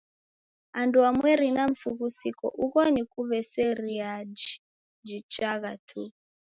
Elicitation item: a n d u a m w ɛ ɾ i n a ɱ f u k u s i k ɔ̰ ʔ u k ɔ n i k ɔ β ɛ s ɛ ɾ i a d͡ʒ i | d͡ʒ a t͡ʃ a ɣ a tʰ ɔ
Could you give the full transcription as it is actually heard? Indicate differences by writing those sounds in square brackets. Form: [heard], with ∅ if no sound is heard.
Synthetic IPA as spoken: a n d u a m w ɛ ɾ i n a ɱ f u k u s i k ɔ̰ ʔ u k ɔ n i k [u] β ɛ s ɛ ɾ i a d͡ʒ i | d͡ʒ [i] t͡ʃ a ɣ a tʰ [u]